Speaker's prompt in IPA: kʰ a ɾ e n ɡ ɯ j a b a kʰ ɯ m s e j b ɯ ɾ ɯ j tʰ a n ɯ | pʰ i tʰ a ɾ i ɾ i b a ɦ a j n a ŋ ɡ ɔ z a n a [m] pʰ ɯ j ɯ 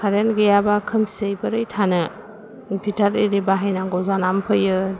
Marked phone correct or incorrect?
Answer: correct